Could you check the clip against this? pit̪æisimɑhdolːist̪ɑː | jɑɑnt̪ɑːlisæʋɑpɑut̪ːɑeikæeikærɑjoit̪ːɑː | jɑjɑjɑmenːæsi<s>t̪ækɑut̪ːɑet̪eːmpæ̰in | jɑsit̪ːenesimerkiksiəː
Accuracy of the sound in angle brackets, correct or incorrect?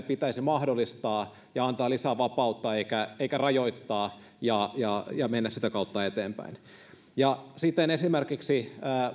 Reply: incorrect: none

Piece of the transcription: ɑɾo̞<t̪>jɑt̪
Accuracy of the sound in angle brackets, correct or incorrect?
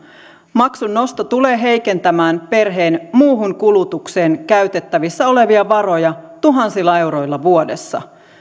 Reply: incorrect: none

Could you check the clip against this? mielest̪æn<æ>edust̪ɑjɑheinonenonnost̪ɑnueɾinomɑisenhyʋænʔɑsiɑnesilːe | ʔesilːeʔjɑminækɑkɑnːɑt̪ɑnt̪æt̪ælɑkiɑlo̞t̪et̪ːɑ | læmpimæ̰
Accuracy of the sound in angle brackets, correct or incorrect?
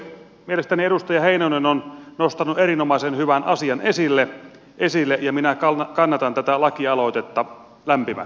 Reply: incorrect: i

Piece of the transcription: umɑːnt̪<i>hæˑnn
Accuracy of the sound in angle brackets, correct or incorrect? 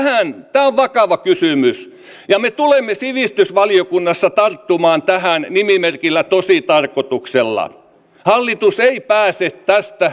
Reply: incorrect: æ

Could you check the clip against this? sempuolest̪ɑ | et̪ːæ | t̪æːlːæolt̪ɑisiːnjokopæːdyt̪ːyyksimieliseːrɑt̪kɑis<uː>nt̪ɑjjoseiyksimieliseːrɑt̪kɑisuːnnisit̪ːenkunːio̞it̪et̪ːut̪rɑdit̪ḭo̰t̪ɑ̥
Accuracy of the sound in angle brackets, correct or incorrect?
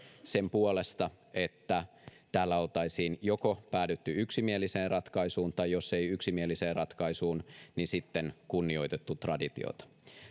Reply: correct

